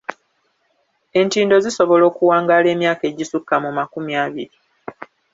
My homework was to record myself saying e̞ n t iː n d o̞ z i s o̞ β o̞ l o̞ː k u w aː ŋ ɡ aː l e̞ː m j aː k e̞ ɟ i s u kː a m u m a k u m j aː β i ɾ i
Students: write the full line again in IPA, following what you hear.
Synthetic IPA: e̞ n t iː n d o̞ z i s o̞ β o̞ l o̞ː k u w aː ŋ ɡ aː l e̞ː m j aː k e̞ ɟ i s u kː a m u m a k u m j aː β i ɾ i